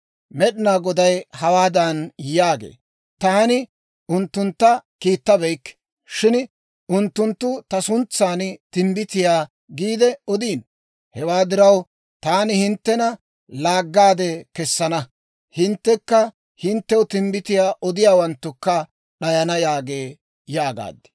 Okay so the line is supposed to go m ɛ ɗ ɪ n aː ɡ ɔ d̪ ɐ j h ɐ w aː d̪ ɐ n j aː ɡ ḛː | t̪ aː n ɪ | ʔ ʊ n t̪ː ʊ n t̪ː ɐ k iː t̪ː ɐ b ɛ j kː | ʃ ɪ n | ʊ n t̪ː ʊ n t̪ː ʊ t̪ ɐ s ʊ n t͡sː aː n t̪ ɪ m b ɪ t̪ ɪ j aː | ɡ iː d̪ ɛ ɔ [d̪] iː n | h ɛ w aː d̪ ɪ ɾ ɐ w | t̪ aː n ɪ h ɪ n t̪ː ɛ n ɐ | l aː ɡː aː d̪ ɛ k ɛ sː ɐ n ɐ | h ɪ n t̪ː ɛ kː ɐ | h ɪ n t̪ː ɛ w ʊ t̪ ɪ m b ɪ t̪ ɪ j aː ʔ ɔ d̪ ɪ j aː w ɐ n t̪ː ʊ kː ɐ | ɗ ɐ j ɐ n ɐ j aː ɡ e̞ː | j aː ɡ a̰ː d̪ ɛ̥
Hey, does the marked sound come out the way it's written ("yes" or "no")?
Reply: yes